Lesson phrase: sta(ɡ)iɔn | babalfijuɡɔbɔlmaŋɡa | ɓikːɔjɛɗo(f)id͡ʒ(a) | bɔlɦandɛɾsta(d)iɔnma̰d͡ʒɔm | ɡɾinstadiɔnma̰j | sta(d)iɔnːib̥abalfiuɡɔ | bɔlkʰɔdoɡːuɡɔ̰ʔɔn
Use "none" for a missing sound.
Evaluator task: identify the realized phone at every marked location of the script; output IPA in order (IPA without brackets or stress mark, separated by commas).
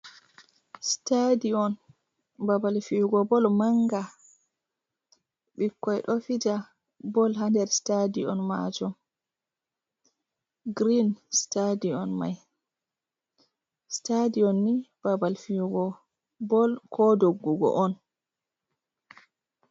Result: d, f, a, d, d